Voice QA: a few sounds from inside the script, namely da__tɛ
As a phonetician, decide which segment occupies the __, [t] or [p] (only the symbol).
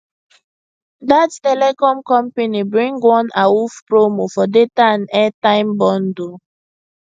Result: t